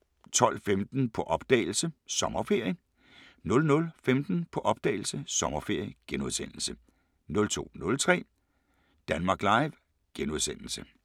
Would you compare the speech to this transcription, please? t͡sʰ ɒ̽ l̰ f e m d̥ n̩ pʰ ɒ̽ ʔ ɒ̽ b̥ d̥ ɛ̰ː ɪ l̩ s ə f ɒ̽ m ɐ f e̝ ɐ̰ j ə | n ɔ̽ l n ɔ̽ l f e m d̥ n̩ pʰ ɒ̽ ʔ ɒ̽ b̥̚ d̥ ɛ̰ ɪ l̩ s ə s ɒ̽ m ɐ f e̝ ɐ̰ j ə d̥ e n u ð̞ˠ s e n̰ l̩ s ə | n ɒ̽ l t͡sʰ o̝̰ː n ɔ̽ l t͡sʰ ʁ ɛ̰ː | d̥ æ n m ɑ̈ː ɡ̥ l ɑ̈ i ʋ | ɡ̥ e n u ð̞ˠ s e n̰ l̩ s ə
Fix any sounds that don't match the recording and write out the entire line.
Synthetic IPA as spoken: t͡sʰ ɒ̽ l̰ f e m d̥ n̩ pʰ ɒ̽ ʔ ɒ̽ b̥ d̥ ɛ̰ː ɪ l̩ s ə s ɒ̽ m ɐ f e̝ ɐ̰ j ə | n ɔ̽ l n ɔ̽ l f e m d̥ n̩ pʰ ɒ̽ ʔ ɒ̽ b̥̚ d̥ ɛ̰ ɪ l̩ s ə s ɒ̽ m ɐ f e̝ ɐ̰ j ə ɡ̥ e n u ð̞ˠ s e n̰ l̩ s ə | n ɔ̽ l t͡sʰ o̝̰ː n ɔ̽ l t͡sʰ ʁ ɛ̰ː | d̥ æ n m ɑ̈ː ɡ̥ l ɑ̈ ɪ ʋ | ɡ̥ e n u ð̞ˠ s e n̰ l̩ s ə

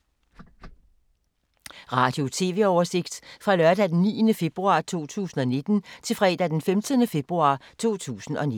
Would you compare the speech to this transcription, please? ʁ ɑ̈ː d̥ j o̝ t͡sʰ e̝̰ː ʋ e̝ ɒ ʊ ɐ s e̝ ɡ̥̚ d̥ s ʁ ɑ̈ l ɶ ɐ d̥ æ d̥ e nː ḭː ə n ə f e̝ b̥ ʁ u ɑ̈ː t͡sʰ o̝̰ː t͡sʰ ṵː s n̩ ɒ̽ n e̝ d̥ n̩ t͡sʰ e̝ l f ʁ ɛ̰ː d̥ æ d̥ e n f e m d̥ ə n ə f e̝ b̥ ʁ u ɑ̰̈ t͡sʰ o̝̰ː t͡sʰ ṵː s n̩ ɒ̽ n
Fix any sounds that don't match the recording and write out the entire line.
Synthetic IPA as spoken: ʁ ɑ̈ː d̥ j o̝ t͡sʰ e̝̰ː ʋ e̝ ɒ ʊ ɐ s e̝ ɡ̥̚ d̥ f ʁ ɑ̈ l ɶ ɐ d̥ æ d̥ e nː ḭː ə n ə f e̝ b̥ ʁ u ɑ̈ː t͡sʰ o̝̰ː t͡sʰ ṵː s n̩ ɒ̽ n e̝ d̥ n̩ t͡sʰ e̝ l f ʁ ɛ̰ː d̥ æ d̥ e n f e m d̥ ə n ə f e̝ b̥ ʁ u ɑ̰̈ t͡sʰ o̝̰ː t͡sʰ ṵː s n̩ ɒ̽ n

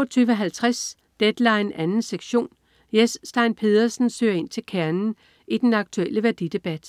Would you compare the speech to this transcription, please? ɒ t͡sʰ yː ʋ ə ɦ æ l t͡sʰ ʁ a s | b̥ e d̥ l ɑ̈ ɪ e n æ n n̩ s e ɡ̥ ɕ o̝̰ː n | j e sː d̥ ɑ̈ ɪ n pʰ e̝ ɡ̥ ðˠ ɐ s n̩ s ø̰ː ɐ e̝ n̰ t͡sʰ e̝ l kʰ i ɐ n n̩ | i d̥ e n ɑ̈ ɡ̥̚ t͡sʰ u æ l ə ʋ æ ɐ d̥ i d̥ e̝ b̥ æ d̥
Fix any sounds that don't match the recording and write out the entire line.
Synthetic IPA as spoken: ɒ t͡sʰ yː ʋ ə ɦ æ l t͡sʰ ʁ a s | d̥ e d̥ l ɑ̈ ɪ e n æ n n̩ s e ɡ̥ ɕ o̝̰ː n | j e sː d̥ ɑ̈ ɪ n pʰ e̝ ðˠ ɐ s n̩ s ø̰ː ɐ e̝ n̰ t͡sʰ e̝ l kʰ æ ɐ n n̩ | i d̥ e n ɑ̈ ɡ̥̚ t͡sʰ u e l ə ʋ æ ɐ d̥ i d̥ e̝ b̥ æ d̥

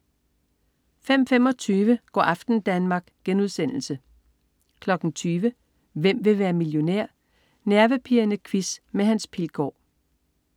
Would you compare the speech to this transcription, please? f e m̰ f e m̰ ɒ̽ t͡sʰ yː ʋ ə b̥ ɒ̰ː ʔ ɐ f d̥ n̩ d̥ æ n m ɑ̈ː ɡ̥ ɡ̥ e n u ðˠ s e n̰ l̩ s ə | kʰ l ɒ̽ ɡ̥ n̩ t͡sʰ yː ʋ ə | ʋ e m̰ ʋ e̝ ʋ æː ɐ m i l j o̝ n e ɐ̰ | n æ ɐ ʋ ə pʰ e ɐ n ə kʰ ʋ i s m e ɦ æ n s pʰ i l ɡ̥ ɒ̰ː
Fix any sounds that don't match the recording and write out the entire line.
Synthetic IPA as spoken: f e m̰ f e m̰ ɒ̽ t͡sʰ yː ʋ ə ɡ̥ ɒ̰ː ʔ ɑ f d̥ n̩ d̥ æ n m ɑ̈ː ɡ̥ ɡ̥ e n u ðˠ s e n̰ l̩ s ə | kʰ l ɒ̽ ɡ̥ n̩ t͡sʰ yː ʋ ə | ʋ e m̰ ʋ e̝ ʋ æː ɐ m i l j o̝ n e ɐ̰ | n æ ɐ ʋ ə pʰ i ɐ n ə kʰ ʋ i s m e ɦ æ n s pʰ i l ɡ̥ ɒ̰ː

